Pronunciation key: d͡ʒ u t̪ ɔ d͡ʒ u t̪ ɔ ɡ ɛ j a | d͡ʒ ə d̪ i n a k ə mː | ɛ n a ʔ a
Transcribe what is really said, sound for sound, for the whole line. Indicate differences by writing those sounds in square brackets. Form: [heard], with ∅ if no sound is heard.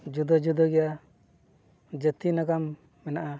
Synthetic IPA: d͡ʒ u [d̪] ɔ d͡ʒ u [d̪] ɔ ɡ ɛ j a | d͡ʒ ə [t̪] i n a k [a] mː | ɛ n a ʔ a